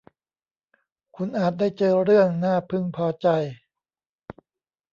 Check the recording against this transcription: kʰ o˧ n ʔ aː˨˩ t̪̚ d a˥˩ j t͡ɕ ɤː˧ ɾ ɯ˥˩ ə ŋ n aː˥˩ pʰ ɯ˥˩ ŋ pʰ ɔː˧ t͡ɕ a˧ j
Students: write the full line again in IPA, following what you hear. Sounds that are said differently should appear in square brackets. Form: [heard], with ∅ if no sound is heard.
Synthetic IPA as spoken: kʰ [u˧] n ʔ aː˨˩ t̪̚ d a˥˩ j t͡ɕ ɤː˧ ɾ ɯ˥˩ ə ŋ n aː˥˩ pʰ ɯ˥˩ ŋ pʰ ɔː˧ t͡ɕ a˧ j